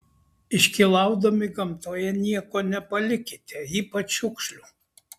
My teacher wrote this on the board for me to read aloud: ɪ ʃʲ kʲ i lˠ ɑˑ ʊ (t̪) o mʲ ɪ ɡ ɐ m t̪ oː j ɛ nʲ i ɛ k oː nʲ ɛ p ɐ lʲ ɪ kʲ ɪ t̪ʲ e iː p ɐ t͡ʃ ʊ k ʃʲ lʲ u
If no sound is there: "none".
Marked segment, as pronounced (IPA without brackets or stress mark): d̪